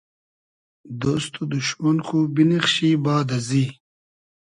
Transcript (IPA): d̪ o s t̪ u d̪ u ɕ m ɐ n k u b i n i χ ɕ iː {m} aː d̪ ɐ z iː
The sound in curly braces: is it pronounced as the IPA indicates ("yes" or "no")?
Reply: no